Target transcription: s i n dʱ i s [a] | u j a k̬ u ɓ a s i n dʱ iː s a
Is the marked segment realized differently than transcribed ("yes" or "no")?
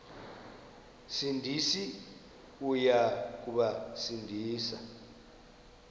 yes